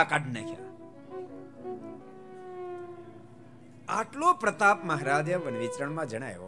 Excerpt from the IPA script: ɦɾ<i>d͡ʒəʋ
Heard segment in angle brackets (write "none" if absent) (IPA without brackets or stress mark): a